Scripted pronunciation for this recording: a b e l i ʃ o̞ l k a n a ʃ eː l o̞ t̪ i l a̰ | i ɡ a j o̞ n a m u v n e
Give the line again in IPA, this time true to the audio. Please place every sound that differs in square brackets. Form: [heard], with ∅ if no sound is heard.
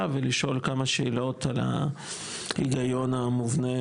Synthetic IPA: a [v] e l i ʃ o̞ l k a [m] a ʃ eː l o̞ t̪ [a] l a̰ | i ɡ a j o̞ n a m u v n e

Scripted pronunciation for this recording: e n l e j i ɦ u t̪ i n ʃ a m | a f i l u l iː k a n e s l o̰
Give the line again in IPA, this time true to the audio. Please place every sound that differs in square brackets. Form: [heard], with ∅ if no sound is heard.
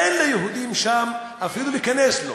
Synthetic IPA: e n l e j [e] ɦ u [d̪] i [m] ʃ a m | a f i l u l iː k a n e s l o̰

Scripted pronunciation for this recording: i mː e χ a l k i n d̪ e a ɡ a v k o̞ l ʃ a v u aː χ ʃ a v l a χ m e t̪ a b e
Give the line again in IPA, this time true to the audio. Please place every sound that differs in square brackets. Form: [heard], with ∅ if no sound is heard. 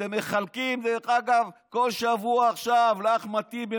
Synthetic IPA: [e] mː e χ a l k i [m] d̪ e a ɡ a v k o̞ l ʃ a v u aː χ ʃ a v l a χ m [a] t̪ [i] b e

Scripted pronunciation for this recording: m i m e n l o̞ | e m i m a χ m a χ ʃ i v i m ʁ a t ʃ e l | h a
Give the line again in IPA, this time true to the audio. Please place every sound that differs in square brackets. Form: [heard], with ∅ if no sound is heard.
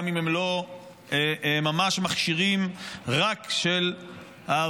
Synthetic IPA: m i m e [m] l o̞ | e m [a] m a [ʃ] m a χ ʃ i [ʁ] i m ʁ a [k] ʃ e l | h a

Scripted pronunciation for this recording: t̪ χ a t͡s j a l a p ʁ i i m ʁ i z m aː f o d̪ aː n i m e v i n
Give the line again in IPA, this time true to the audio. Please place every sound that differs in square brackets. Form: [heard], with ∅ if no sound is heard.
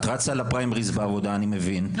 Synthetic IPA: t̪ [ʁ] a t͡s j a l a p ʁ [a] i m ʁ i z [b] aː [v] o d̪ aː n i m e v i n

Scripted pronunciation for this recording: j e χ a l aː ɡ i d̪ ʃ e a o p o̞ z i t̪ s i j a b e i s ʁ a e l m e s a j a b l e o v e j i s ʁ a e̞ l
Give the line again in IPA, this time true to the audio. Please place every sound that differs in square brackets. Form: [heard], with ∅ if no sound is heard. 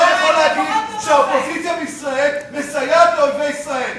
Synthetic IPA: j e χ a l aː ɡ i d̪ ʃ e a o p o̞ z i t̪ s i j a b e i s ʁ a e l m e s a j a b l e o v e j i s ʁ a e̞ l

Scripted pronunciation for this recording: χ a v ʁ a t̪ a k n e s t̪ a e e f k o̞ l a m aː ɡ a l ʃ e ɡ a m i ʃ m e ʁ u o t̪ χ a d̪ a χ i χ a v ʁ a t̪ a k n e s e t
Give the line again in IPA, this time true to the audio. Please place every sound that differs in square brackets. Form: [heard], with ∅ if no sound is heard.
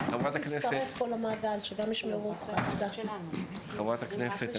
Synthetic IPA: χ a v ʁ a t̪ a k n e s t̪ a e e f k o̞ l a m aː ɡ a l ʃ e ɡ a m i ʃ m e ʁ u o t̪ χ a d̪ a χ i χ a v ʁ a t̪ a k n e s e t

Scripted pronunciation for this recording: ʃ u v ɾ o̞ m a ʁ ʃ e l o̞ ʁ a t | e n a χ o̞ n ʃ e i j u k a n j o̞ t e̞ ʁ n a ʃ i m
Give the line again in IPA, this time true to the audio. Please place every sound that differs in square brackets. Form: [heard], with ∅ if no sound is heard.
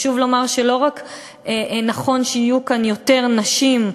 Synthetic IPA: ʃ u v [l] o̞ m a ʁ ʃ e l o̞ ʁ a [k] | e n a χ o̞ n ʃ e i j u k a n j o̞ t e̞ ʁ n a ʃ i m

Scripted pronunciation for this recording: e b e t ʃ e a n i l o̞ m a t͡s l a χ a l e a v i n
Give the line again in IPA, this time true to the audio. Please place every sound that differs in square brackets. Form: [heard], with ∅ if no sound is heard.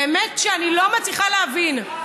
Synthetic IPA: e [m] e t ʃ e a n i l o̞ m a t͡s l [i] χ a l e a v i n

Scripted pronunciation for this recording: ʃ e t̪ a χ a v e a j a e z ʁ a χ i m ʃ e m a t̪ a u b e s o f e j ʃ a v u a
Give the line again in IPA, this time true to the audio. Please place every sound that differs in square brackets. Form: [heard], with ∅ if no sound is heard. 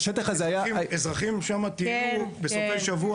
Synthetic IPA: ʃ e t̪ a χ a [z] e a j a e z ʁ a χ i m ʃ [a] m a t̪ [i] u b e s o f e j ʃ a v u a

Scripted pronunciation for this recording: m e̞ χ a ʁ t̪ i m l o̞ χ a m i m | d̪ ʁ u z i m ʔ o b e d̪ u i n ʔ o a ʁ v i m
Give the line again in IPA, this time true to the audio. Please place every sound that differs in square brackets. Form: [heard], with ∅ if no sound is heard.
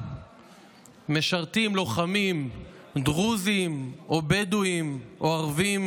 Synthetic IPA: m e̞ [ʃ] a ʁ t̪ i m l o̞ χ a m i m | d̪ ʁ u z i m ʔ o b e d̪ u i [m] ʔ o a ʁ v i m

